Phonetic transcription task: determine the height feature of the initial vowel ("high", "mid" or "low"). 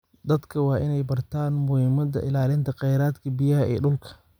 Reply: low